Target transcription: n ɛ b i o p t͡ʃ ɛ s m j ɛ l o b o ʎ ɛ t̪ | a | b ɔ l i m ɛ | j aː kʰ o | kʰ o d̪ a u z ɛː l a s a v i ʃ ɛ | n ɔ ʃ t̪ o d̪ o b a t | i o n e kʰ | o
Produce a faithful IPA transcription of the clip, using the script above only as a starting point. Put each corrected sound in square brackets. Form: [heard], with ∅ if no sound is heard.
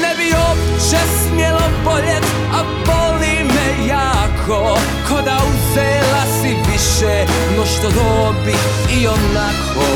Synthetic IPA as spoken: n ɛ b i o p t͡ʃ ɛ s m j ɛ l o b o ʎ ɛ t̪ | a | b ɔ l i m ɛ | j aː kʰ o | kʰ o d̪ a u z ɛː l a s [i] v i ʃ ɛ | n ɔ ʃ t̪ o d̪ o b [i] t | i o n [a] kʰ | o